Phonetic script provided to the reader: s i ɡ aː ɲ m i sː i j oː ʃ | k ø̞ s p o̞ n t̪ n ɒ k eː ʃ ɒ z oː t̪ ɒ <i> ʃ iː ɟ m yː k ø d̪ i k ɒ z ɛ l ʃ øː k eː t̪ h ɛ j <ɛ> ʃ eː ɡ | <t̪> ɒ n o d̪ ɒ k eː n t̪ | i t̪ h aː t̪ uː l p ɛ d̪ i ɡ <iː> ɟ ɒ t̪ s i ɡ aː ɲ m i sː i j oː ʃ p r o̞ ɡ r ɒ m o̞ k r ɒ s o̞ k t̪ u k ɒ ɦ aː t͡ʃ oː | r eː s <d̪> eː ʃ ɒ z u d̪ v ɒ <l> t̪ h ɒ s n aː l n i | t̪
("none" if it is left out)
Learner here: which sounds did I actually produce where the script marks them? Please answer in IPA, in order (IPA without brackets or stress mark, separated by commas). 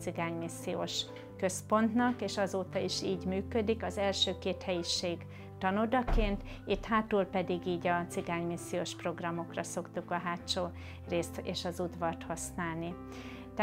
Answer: i, i, t̪, iː, t̪, r